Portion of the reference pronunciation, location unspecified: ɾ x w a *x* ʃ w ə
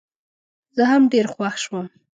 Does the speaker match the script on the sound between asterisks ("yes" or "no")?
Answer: yes